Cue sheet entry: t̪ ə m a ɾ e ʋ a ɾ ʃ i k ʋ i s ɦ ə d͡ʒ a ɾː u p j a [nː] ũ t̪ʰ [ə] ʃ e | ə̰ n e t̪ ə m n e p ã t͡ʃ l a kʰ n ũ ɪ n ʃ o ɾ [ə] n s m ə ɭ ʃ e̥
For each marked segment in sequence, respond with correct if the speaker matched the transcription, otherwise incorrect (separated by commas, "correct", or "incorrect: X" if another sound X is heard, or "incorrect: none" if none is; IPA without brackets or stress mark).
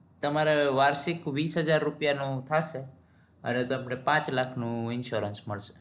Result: incorrect: n, incorrect: a, correct